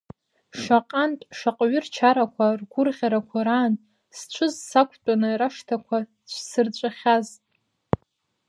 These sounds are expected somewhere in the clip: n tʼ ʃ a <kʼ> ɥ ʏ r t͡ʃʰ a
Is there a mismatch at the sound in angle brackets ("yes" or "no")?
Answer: yes